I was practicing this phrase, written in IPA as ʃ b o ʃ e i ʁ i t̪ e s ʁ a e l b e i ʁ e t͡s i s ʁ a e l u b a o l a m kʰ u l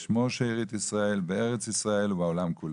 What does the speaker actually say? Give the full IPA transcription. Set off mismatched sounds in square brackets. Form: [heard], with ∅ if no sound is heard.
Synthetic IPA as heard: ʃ [m] o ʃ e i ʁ i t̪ [i] s ʁ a e l b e [e] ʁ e t͡s i s ʁ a e l u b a o l a m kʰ u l